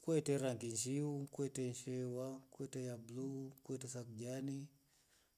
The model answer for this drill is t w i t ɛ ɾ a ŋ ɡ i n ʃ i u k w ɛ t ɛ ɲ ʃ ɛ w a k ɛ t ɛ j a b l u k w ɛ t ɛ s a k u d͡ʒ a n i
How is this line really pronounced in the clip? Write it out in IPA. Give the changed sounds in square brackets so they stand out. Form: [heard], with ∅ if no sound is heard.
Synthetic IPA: [k] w [ɛ] t ɛ ɾ a ŋ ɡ i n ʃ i u k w ɛ t ɛ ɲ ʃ ɛ w a k ɛ t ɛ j a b l u k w ɛ t ɛ s a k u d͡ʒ a n i